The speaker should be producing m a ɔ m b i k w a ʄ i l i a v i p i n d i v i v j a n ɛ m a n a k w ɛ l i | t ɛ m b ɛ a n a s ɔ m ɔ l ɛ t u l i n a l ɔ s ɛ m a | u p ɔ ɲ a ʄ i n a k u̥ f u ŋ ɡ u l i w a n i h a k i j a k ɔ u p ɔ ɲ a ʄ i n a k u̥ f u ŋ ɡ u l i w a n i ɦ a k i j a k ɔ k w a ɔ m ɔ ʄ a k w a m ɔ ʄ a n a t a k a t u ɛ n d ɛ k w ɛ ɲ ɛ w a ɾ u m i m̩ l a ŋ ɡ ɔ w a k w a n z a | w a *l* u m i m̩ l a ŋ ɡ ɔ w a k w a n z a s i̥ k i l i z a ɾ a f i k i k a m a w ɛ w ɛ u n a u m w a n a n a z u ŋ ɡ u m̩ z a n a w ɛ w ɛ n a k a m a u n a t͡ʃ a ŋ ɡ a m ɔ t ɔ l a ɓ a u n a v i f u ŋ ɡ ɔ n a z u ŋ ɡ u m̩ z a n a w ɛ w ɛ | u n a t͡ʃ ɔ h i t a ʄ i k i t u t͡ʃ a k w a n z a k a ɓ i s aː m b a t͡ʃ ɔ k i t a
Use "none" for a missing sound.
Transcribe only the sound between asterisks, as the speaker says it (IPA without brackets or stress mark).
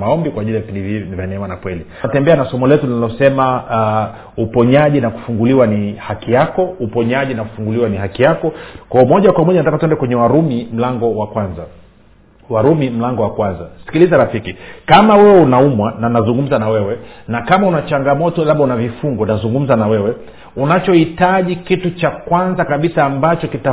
ɾ